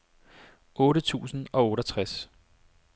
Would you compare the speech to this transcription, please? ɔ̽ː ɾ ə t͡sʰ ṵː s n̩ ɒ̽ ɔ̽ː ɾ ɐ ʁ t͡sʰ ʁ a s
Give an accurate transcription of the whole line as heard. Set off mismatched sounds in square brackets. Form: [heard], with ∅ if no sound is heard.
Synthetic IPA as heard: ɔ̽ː ɾ ə t͡sʰ ṵː s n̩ ɒ̽ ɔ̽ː ɾ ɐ [∅] t͡sʰ ʁ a s